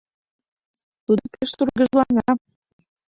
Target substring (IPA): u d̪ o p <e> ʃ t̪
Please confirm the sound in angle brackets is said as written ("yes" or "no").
yes